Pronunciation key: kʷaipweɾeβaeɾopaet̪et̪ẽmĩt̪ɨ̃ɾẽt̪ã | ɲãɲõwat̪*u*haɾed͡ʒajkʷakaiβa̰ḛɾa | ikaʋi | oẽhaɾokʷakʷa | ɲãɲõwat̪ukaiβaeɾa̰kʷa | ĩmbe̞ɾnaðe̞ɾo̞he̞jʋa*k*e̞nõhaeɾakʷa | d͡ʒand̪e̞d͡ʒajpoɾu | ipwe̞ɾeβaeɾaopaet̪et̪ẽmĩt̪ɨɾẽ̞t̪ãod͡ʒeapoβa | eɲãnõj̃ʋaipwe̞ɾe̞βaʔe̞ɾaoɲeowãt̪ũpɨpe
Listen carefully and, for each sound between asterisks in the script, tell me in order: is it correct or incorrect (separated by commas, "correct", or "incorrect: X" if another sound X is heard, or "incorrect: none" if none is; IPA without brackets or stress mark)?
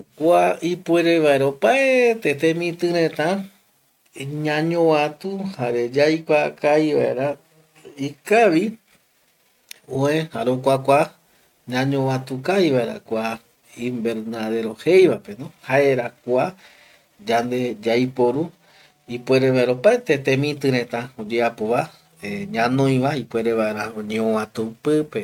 correct, incorrect: p